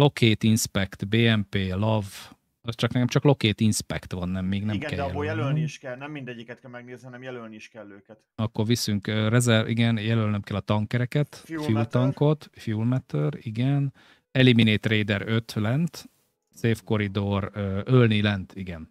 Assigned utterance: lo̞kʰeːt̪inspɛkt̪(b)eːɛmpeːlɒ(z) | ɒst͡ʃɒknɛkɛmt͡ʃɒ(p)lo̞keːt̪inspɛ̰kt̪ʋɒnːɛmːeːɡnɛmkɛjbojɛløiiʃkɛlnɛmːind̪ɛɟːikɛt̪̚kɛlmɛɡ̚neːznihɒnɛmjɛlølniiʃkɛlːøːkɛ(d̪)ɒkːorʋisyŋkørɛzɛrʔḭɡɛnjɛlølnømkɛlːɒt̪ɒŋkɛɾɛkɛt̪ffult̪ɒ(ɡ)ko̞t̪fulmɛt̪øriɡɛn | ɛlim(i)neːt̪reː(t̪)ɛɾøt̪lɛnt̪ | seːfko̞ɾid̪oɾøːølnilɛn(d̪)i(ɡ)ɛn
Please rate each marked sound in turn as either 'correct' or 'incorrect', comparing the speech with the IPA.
correct, incorrect: v, incorrect: k, incorrect: t̪, incorrect: ŋ, correct, incorrect: d̪, incorrect: t̪, correct

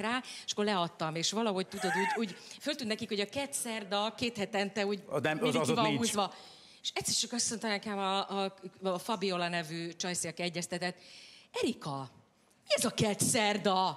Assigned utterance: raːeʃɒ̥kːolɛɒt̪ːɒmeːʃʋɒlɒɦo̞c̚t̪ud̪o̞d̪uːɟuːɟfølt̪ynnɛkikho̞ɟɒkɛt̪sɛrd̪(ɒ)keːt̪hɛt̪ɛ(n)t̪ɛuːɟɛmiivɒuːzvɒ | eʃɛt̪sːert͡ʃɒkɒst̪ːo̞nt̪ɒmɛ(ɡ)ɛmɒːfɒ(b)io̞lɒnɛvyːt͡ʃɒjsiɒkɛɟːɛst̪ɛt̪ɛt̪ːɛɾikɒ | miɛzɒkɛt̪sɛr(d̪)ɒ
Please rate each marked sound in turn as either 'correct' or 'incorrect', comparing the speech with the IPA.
correct, correct, incorrect: k, correct, correct

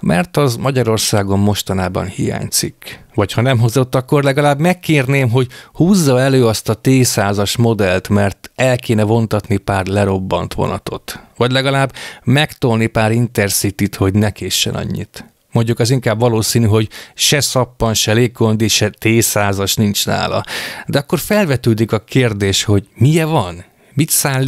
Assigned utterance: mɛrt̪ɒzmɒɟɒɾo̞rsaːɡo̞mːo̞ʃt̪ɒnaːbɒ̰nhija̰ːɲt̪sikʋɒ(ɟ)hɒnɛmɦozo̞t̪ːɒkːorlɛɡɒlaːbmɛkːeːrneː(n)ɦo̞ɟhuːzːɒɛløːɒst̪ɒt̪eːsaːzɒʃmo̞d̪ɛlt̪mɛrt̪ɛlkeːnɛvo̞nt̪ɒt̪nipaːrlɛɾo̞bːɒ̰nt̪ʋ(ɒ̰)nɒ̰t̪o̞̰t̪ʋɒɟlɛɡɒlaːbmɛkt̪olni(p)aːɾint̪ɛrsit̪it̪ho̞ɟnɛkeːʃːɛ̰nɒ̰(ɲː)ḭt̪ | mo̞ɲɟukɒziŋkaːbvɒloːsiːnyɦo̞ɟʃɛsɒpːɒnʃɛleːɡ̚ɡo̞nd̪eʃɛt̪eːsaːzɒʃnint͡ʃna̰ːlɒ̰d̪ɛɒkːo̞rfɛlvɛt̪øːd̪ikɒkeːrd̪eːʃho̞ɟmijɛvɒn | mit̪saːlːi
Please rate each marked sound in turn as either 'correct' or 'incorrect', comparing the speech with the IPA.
incorrect: c, incorrect: m, incorrect: o̰, correct, correct

